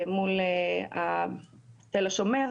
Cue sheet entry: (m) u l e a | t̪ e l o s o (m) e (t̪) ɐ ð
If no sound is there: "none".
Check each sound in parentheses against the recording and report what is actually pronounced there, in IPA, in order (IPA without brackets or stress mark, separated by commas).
m, m, none